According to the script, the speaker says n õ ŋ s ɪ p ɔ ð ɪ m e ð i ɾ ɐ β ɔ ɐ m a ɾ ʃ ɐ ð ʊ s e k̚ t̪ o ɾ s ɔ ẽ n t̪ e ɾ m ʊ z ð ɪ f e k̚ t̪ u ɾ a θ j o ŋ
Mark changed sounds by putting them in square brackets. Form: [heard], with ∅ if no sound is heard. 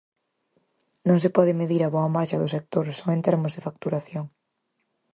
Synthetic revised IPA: n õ ŋ s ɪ p ɔ ð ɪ m e ð i ɾ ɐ β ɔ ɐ m a ɾ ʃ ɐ ð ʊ s e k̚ t̪ o ɾ s ɔ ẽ n t̪ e ɾ m ʊ z ð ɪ f [a] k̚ t̪ u ɾ a θ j o ŋ